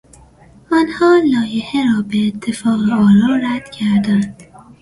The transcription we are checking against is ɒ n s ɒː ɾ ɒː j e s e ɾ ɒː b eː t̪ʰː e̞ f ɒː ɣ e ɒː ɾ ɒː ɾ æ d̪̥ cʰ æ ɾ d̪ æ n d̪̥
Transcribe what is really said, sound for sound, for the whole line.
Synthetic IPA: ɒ n h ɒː l ɒː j e h e ɾ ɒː b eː t̪ʰː e̞ f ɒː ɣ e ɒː ɾ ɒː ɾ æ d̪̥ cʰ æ ɾ d̪ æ n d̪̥